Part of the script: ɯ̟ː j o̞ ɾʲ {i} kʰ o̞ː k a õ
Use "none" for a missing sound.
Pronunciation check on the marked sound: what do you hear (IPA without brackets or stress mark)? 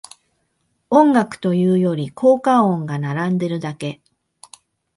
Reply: i